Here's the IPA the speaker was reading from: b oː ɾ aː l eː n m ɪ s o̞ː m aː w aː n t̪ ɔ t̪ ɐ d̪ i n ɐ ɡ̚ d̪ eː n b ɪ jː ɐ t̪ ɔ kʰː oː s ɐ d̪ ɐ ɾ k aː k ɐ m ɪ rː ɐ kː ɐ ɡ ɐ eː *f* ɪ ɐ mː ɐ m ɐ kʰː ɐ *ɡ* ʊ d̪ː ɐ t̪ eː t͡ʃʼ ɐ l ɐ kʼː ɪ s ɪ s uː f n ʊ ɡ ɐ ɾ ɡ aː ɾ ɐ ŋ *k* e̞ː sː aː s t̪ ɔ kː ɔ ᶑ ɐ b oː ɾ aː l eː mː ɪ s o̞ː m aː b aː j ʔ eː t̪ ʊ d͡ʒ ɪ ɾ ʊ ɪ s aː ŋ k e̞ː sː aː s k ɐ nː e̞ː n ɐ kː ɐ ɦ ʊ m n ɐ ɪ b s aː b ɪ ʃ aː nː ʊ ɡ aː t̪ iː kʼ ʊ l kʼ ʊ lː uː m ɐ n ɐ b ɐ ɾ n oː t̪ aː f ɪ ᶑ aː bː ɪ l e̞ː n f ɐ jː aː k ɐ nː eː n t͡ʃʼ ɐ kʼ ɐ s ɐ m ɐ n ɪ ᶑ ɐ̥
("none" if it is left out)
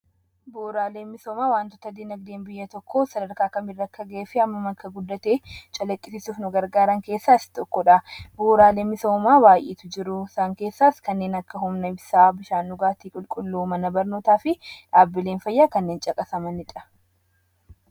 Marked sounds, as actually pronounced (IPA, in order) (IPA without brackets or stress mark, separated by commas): f, ɡ, k